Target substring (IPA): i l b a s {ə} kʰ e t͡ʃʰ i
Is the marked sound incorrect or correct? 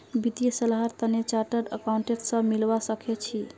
correct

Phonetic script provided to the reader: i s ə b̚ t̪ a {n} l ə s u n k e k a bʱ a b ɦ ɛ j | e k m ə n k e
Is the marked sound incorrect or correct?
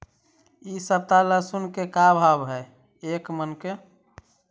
incorrect: none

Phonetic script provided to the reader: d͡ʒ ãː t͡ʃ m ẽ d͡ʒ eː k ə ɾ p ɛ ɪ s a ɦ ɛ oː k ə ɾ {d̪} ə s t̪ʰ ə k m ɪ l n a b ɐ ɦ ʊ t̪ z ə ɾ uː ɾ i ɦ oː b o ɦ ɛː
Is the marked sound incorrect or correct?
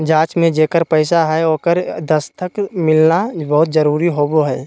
correct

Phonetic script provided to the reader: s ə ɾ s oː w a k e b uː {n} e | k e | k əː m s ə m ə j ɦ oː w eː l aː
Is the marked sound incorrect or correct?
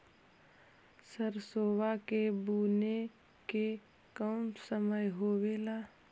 correct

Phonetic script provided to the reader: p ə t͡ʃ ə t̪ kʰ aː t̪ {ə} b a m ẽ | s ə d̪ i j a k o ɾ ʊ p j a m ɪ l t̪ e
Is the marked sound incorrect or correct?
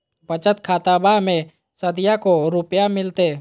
incorrect: a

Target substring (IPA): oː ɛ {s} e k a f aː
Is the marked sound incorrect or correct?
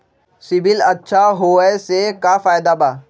correct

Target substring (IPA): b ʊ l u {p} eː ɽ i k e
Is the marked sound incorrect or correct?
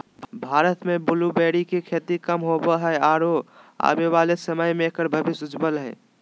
incorrect: b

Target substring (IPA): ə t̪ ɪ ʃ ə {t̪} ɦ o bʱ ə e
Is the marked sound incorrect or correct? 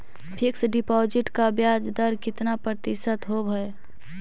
correct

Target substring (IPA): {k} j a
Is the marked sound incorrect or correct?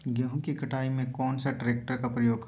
incorrect: ɡ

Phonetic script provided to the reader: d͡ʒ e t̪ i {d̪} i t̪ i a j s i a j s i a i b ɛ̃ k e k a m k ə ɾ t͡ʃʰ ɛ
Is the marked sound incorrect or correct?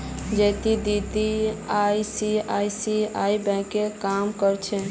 correct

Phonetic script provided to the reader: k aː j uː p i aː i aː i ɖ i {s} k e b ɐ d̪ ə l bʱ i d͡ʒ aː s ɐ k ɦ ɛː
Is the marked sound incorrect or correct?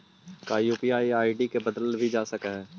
incorrect: none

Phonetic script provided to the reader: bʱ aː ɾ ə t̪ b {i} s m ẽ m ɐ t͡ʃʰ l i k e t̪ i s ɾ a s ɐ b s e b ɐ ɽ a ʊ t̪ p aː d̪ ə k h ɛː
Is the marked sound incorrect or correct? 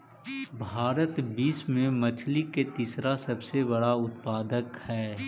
incorrect: iː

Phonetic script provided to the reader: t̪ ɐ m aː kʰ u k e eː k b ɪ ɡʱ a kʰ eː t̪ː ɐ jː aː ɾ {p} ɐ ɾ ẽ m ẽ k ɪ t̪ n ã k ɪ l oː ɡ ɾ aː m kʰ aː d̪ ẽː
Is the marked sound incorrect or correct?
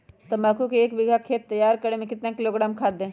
incorrect: k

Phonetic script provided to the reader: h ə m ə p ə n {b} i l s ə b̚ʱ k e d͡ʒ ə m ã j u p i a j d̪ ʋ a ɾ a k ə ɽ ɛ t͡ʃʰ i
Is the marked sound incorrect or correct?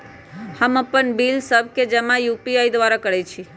correct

